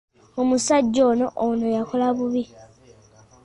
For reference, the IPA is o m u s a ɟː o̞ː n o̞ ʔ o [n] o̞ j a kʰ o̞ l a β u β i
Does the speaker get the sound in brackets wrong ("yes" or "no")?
no